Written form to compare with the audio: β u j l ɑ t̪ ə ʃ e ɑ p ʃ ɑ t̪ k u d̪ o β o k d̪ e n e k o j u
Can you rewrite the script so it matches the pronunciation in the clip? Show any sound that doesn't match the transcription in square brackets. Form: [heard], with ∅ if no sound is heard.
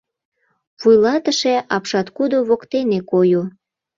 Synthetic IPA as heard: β u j l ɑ t̪ ə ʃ e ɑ p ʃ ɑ t̪ k u d̪ o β o k [t̪] e n e k o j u